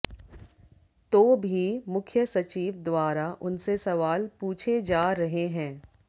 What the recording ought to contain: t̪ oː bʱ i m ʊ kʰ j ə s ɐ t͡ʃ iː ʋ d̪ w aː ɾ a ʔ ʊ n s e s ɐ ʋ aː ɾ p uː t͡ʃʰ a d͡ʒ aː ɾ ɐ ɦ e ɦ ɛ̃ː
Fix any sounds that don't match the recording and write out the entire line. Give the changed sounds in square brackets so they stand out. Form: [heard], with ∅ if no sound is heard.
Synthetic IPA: t̪ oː bʱ i m ʊ kʰ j ə s ɐ t͡ʃ iː ʋ d̪ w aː ɾ a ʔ ʊ n s e s ɐ ʋ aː [l] p uː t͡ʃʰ [e] d͡ʒ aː ɾ ɐ ɦ e ɦ ɛ̃ː